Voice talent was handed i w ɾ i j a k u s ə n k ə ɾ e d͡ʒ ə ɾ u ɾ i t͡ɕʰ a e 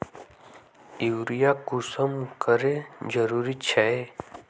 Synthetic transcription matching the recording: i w ɾ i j a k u s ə m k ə ɾ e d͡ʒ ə ɾ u ɾ i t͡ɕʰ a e